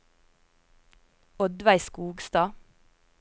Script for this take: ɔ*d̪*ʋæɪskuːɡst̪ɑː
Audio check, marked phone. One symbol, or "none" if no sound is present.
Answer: d̪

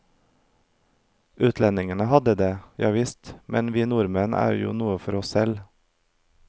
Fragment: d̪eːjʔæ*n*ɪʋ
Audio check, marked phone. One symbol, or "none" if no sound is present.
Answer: none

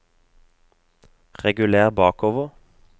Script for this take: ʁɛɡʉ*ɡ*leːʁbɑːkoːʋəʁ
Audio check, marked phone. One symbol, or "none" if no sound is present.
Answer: none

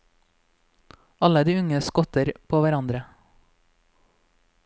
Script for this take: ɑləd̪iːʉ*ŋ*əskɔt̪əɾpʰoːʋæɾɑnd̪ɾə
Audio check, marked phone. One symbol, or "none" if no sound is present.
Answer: ŋ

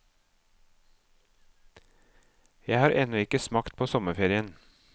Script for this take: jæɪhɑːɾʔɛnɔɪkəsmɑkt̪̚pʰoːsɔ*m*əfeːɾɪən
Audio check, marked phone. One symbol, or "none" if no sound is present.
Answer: m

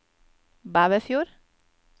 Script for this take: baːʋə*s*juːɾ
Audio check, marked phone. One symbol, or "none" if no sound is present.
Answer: f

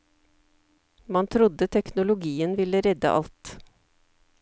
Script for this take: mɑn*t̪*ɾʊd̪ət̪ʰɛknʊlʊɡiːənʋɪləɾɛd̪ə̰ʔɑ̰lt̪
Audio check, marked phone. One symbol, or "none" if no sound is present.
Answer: t̪ʰ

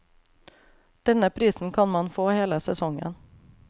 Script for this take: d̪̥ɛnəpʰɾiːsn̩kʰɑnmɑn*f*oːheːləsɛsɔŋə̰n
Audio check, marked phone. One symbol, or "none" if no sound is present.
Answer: f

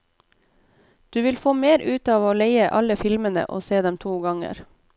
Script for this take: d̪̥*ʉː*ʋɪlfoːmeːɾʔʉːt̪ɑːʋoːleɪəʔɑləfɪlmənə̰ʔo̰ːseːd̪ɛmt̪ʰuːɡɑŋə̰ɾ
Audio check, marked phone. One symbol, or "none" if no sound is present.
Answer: ʉː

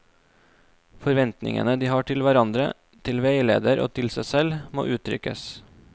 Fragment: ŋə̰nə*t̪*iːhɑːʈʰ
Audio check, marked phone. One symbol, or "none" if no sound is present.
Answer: d̪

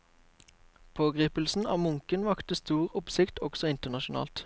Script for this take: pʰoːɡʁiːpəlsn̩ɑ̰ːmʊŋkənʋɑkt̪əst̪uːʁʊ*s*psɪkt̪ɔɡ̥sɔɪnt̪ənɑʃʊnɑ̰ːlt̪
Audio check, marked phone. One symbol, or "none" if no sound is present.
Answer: none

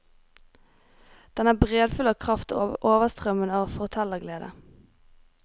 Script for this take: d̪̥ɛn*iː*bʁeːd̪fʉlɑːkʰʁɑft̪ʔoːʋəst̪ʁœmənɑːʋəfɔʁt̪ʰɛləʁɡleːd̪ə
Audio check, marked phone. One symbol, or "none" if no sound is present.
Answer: æː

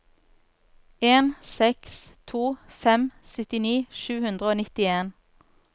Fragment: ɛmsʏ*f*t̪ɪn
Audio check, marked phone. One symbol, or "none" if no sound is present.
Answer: none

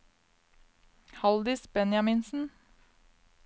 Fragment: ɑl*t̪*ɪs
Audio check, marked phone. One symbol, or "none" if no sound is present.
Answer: d̪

